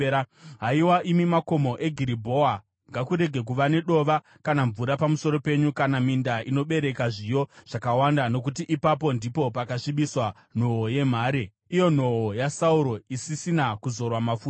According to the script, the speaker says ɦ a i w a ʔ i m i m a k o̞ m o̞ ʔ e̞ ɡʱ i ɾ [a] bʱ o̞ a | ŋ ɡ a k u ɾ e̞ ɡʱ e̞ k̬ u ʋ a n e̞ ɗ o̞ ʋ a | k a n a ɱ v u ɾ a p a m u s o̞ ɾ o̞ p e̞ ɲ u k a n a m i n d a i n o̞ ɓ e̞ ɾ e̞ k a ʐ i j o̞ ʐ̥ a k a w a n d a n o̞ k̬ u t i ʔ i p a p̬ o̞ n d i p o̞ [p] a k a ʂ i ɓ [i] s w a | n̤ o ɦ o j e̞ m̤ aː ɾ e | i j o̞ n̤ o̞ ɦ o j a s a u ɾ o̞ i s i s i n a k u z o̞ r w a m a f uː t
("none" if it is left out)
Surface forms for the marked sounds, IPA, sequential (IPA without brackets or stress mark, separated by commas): i, p, i